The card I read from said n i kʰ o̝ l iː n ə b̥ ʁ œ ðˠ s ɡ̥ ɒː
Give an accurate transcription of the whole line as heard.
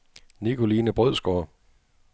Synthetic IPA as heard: n i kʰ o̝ l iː n ə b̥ ʁ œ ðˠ s ɡ̥ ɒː

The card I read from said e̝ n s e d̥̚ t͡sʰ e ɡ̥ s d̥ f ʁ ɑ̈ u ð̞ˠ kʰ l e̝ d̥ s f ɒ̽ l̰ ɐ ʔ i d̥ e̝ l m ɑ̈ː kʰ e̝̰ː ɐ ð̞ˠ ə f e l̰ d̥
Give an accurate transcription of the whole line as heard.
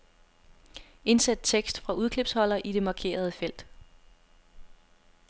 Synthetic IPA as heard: e̝ n s æ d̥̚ t͡sʰ e ɡ̥ s d̥ f ʁ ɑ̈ u ð̞ˠ kʰ l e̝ b̥ s h ɒ̽ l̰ ɐ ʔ i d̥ e̝ m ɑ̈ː kʰ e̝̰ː ɐ ð̞ˠ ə f e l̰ d̥

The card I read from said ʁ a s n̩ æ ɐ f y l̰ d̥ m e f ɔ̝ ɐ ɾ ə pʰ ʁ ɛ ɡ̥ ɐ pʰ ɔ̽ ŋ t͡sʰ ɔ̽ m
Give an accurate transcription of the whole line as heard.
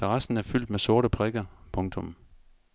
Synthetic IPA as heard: ʁ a s n̩ æ ɐ f y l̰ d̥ m e s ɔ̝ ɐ ɾ ə pʰ ʁ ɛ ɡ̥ ɐ pʰ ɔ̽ ŋ t͡sʰ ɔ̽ m

